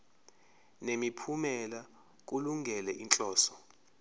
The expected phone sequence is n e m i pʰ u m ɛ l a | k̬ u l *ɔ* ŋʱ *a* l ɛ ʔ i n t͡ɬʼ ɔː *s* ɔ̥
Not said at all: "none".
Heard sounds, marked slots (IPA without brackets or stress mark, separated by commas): u, ɛ, s